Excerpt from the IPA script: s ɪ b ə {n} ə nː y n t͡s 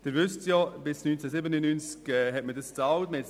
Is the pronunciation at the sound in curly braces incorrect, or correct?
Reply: correct